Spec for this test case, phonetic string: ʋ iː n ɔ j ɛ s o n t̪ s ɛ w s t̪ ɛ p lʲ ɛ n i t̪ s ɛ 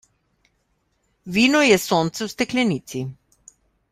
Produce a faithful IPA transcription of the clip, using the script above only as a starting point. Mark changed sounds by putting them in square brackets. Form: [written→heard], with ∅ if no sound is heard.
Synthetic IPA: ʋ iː n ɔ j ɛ s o n t̪ s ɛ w s t̪ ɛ [p→k] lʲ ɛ n i t̪ s [ɛ→i]